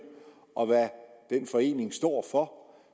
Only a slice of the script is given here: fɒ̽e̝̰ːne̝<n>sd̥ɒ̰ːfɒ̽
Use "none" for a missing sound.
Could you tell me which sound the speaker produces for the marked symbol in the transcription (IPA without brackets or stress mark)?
ŋ